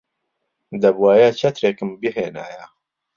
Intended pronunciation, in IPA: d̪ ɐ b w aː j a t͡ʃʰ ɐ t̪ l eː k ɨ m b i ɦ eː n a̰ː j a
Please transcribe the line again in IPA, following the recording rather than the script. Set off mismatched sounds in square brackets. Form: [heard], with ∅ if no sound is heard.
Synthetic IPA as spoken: d̪ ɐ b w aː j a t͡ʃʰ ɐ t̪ [ɾ] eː k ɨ m b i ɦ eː n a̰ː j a